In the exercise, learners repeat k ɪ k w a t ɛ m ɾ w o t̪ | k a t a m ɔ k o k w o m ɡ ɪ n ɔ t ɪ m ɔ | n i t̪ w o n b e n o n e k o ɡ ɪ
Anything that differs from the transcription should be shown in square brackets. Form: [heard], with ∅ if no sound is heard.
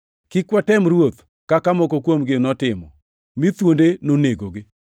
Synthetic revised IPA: k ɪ k w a t ɛ m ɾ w o t̪ | k a [k] a m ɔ k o k w o m ɡ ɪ n ɔ t ɪ m ɔ | [m] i t̪ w o n [d] e n o n e [ɡ] o ɡ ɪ